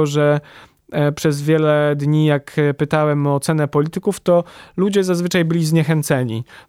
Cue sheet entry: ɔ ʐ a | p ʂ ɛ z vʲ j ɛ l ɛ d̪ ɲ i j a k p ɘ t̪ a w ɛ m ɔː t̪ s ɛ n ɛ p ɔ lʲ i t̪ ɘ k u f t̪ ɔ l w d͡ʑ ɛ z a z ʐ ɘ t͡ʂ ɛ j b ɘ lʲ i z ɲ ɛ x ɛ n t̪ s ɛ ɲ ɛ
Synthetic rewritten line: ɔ ʐ ɛ | p ʂ ɛ z vʲ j ɛ l ɛ d̪ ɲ i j a k p ɘ t̪ a w ɛ m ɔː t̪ s ɛ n ɛ p ɔ lʲ i t̪ ɘ k u f t̪ ɔ l u d͡ʑ ɛ z a z v ɘ t͡ʂ a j b ɘ lʲ i z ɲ ɛ x ɛ n t̪ s ɛ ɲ i